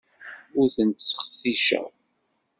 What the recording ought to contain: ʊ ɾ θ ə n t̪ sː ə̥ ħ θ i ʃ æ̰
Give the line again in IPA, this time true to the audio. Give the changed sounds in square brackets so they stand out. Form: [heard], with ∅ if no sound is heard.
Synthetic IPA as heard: ʊ ɾ θ ə n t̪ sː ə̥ [χ] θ i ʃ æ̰